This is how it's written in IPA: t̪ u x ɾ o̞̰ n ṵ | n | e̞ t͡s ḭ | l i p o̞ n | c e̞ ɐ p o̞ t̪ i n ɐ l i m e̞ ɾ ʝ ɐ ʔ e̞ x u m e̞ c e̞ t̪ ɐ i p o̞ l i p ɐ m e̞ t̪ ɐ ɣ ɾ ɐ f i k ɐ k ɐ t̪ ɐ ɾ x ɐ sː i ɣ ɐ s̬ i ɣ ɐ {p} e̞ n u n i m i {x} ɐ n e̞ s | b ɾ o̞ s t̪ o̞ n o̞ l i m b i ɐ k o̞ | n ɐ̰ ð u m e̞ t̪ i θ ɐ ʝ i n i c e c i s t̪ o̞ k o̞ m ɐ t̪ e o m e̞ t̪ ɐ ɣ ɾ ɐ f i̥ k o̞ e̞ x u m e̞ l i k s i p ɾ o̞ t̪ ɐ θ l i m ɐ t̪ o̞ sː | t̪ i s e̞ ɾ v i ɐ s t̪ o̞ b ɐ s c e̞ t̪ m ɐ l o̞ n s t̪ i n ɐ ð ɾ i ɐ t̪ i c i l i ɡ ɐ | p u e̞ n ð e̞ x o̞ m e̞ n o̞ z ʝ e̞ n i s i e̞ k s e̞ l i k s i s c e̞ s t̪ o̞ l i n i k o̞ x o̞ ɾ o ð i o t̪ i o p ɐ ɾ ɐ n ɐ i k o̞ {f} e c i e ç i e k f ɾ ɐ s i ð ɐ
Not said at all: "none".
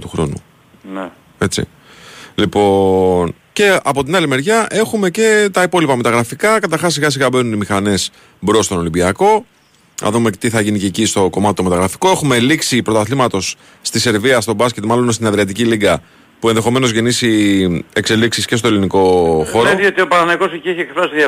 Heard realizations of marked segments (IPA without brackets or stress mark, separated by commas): b, x, s